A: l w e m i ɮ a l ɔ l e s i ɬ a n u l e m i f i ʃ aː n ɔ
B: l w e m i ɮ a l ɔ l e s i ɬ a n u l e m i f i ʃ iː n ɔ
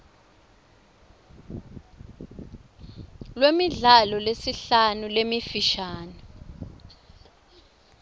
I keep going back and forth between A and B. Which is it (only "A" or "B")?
A